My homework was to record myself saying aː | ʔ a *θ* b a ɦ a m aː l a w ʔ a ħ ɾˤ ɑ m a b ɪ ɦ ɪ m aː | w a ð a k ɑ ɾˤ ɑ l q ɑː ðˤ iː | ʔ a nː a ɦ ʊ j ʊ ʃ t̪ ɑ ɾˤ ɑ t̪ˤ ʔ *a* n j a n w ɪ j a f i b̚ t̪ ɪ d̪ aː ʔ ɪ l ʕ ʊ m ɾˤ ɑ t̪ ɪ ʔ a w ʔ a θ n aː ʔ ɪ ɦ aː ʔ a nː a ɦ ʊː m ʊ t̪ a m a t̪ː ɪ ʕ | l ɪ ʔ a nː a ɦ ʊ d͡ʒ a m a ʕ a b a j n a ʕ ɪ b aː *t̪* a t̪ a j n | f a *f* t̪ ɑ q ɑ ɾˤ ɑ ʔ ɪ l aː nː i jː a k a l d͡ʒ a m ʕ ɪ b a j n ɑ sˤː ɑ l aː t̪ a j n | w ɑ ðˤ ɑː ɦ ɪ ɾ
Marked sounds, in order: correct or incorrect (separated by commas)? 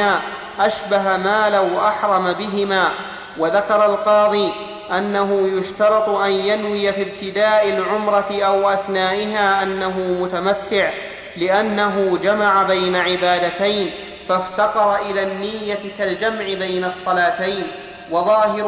incorrect, correct, incorrect, correct